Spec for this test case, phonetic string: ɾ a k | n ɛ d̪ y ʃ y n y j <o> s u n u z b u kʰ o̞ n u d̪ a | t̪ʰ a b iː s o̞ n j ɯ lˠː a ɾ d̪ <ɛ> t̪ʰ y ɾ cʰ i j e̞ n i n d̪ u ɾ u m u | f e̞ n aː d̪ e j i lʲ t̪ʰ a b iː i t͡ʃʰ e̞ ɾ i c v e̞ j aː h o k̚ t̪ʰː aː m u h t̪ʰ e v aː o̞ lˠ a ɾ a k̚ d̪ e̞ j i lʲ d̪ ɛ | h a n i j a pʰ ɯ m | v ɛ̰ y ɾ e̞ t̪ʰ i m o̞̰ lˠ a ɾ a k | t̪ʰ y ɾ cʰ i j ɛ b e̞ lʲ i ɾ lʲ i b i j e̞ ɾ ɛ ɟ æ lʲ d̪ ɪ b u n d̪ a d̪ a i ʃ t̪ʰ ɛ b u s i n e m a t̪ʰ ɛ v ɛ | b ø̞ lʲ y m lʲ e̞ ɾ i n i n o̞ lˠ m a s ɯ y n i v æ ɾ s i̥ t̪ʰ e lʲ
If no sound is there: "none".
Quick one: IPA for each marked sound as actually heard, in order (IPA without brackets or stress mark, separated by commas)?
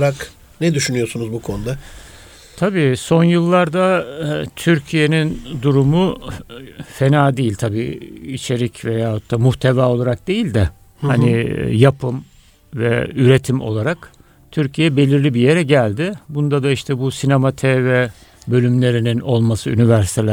o, a